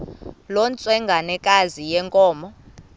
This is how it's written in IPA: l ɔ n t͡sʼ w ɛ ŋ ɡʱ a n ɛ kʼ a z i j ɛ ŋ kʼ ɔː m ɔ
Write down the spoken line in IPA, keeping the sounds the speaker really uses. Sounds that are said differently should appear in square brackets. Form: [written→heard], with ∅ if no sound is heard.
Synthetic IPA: l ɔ n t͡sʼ w ɛ ŋ ɡʱ a n ɛ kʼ a z i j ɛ ŋ kʼ ɔː m ɔ